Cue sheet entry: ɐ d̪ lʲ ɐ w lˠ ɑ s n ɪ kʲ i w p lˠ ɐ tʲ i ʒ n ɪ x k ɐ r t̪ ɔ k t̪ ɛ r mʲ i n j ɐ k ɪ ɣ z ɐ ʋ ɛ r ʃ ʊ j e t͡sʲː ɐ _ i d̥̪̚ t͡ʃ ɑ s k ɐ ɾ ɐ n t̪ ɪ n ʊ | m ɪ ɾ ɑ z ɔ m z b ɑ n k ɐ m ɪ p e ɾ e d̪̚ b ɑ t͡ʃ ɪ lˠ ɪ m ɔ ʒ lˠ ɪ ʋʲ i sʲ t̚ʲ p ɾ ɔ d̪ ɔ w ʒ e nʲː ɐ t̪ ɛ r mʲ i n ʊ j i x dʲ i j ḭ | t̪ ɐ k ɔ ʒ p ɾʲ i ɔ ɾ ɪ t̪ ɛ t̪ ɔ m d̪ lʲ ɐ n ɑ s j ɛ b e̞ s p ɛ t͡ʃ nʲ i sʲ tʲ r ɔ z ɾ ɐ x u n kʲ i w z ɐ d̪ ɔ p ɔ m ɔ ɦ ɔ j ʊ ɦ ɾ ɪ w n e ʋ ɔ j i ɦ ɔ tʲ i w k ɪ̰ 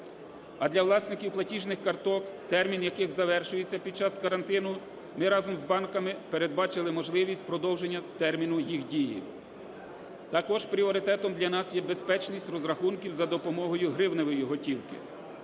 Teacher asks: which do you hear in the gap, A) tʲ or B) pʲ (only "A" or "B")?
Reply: B